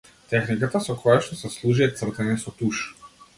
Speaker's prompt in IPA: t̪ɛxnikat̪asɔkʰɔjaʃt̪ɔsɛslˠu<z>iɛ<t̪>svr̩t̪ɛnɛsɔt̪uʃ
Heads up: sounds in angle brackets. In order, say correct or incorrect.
incorrect: ʒ, correct

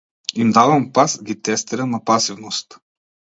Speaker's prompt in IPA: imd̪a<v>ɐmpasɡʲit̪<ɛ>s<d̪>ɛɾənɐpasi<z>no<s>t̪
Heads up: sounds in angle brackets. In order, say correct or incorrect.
correct, correct, incorrect: t̪, incorrect: v, correct

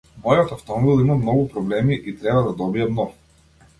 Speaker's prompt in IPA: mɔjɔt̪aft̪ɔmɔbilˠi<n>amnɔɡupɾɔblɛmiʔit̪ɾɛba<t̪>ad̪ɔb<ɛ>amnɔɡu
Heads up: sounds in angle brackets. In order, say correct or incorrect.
incorrect: m, incorrect: d̪, incorrect: i

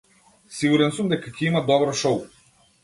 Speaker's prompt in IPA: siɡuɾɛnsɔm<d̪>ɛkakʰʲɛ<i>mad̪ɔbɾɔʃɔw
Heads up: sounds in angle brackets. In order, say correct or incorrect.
correct, correct

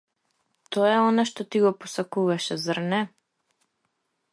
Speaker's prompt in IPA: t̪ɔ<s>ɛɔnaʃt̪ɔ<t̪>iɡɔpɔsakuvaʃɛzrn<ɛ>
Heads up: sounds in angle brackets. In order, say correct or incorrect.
incorrect: none, correct, correct

